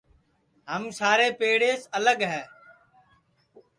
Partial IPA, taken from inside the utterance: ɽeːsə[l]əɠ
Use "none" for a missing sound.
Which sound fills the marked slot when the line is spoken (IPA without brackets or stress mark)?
l